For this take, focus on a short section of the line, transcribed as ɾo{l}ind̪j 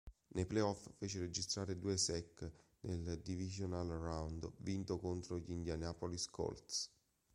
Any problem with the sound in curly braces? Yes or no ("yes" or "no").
yes